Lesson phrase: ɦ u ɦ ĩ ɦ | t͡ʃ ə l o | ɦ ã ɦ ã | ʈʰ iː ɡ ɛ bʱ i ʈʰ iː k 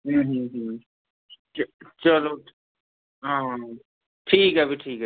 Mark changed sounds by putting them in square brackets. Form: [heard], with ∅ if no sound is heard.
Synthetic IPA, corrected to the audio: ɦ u ɦ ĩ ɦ | t͡ʃ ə l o | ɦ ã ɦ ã | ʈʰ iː [k] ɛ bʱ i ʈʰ iː k